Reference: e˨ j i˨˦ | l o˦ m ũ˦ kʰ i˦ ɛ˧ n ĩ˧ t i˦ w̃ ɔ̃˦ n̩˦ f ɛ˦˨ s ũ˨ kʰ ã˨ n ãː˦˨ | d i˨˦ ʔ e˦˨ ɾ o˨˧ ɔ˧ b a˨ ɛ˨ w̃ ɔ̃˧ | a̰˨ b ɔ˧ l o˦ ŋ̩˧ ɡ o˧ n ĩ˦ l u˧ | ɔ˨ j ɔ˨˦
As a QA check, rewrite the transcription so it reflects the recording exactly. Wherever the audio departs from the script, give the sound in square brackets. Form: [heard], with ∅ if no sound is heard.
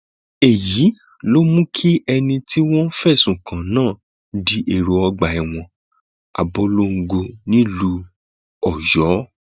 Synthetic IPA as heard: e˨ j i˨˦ | l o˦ m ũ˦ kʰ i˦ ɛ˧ n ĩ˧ t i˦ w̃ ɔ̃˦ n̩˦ f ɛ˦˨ s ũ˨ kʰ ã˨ n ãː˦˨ | d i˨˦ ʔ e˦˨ ɾ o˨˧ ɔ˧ [ɡ͡b] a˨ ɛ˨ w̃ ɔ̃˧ | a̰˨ b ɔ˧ l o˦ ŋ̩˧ ɡ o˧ n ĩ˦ l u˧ | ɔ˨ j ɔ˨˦